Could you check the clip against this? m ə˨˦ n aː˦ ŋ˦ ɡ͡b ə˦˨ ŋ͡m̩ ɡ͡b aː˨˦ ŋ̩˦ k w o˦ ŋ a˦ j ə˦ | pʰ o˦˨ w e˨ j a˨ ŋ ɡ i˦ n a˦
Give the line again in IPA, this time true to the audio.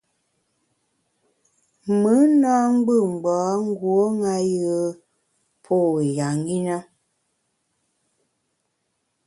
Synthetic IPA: m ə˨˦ n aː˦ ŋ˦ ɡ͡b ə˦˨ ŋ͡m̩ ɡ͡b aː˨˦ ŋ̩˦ ɡ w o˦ ŋ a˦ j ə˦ | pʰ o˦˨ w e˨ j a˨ ŋ ɡ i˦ n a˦

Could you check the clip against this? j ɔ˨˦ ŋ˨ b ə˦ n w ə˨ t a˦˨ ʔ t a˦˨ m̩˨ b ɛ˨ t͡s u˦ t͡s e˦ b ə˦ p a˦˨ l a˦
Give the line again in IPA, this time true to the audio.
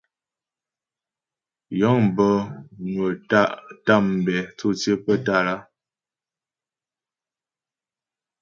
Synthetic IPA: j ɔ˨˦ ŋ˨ b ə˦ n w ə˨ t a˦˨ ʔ t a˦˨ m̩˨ b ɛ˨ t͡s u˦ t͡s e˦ p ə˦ t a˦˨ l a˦

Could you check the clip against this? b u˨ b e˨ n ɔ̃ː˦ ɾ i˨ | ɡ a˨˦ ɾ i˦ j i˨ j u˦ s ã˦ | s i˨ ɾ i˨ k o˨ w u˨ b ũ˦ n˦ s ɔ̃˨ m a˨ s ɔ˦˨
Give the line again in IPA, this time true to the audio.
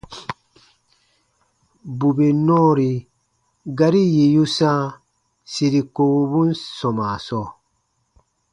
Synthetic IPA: b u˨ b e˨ n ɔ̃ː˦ ɾ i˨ | ɡ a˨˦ ɾ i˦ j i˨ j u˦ s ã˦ | s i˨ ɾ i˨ k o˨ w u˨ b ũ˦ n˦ s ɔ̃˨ m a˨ s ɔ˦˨

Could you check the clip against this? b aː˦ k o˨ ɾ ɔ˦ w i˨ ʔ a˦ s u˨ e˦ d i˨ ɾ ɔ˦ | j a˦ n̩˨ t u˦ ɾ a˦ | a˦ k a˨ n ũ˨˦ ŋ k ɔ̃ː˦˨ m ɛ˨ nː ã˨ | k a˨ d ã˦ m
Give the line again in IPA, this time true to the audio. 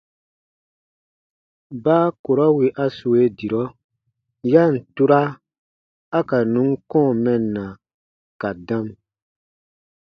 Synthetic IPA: b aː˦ k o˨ ɾ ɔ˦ w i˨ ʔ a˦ s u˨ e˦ d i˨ ɾ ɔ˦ | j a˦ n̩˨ t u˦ ɾ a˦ | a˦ k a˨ n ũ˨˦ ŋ k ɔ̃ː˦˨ m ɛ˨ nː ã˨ | k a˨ d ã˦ m

